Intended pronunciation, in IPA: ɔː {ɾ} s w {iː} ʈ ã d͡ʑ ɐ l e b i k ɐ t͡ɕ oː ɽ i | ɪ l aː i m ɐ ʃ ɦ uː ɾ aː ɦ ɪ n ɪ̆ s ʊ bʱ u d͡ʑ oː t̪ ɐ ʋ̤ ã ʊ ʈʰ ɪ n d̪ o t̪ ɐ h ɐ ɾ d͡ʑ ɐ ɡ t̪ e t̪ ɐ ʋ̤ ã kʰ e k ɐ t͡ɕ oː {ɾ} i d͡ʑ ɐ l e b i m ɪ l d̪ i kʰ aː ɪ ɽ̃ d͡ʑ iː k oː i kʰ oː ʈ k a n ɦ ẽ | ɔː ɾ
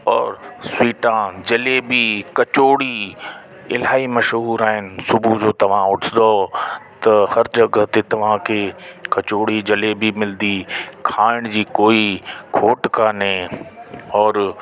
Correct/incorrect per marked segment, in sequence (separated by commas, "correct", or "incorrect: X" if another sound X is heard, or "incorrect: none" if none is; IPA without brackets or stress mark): correct, correct, incorrect: ɽ